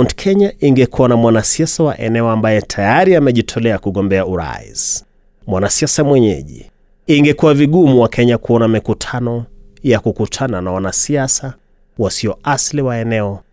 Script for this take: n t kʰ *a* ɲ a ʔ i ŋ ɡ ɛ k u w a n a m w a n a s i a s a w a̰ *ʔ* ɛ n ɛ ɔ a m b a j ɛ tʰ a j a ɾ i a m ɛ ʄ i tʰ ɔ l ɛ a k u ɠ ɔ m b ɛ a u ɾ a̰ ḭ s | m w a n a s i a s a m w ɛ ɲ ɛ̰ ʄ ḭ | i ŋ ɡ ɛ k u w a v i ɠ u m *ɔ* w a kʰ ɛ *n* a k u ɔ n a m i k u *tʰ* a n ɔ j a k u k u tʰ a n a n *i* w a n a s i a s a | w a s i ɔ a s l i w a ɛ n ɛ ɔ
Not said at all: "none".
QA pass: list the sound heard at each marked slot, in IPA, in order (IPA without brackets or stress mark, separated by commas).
ɛ, ʔ, u, ɲ, tʰ, a